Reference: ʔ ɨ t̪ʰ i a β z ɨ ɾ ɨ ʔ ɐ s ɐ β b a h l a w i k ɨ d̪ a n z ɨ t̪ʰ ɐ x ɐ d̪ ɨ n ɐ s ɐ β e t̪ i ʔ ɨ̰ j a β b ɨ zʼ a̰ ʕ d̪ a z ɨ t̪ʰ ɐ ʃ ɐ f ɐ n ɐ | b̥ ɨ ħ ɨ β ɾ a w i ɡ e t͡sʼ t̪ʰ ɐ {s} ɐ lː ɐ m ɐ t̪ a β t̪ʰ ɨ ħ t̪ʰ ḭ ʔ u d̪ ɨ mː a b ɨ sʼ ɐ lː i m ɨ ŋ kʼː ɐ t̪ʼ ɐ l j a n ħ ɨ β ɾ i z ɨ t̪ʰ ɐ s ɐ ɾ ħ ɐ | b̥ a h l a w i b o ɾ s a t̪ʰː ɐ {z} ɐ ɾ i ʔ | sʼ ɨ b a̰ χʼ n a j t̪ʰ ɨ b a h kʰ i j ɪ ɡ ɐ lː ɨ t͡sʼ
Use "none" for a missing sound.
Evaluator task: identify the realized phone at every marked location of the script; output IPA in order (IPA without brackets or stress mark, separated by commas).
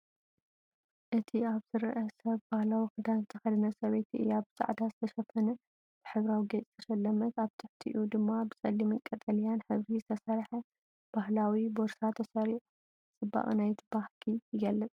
ʃ, s